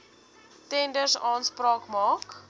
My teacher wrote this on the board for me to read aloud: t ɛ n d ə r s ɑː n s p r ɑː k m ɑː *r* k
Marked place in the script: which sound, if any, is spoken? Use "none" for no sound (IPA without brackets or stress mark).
none